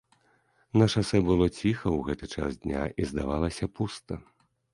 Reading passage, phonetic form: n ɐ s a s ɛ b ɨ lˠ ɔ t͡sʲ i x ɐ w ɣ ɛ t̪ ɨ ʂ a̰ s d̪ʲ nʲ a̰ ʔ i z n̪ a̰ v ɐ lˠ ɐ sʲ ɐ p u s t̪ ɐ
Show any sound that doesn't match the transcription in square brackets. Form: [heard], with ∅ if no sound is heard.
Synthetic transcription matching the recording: n ɐ [ʂ] a s ɛ b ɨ lˠ ɔ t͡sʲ i x ɐ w ɣ ɛ t̪ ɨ [t͡ʂ] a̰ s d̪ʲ nʲ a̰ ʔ i z [d̪] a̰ v [a] lˠ ɐ sʲ ɐ p u s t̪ ɐ